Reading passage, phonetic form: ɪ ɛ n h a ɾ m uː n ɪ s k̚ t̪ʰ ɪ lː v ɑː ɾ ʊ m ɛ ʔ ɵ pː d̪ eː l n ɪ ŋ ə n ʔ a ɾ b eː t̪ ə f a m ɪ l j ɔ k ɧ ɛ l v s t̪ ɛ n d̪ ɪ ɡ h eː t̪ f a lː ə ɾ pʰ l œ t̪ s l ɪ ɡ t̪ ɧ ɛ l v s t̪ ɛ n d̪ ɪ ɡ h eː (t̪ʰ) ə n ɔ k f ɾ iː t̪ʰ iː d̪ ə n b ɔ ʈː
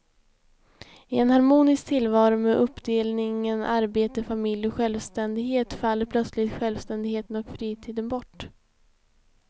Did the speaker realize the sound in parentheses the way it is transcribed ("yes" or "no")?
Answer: no